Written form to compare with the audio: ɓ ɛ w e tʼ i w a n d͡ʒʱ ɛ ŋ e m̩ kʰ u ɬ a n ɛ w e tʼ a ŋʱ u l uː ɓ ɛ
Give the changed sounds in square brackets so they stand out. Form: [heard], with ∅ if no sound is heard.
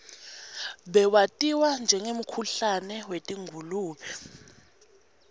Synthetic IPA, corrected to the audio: ɓ ɛ w [a] tʼ i w a n d͡ʒʱ ɛ ŋ e m̩ kʰ u ɬ a n ɛ w e tʼ [i] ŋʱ u l uː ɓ ɛ